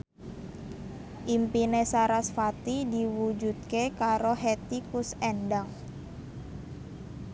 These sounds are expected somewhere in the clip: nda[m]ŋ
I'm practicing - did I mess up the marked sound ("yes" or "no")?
yes